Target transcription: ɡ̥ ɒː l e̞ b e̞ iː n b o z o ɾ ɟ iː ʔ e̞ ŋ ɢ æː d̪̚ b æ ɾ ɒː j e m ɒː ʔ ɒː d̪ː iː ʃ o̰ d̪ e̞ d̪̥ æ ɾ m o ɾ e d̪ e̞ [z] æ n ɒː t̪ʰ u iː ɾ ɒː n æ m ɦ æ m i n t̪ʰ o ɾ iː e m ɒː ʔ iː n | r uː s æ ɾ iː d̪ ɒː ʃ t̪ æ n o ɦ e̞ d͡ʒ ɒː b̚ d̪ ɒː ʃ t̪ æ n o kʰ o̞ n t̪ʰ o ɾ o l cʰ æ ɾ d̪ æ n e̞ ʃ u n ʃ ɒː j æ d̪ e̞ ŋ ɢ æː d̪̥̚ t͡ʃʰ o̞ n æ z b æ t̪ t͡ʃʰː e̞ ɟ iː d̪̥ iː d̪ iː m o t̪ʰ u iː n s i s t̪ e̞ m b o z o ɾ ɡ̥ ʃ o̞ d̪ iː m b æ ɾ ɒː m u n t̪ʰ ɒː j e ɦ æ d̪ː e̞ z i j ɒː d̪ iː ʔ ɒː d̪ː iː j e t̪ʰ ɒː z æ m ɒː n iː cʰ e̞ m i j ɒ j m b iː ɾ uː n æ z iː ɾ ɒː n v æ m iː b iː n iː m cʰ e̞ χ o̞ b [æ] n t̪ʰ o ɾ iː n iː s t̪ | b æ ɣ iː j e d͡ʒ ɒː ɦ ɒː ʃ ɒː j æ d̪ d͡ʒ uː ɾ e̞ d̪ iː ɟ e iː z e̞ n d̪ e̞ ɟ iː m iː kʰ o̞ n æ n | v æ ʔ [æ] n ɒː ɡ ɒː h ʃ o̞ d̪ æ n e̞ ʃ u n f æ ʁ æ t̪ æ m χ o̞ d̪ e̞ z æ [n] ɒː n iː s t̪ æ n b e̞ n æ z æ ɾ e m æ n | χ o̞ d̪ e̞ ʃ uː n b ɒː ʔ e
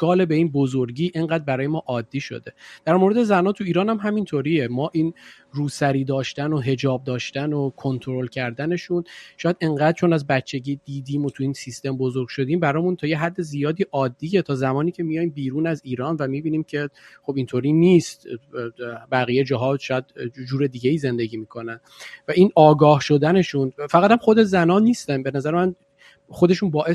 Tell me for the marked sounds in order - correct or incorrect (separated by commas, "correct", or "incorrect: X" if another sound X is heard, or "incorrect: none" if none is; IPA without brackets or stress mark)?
correct, incorrect: i, incorrect: i, correct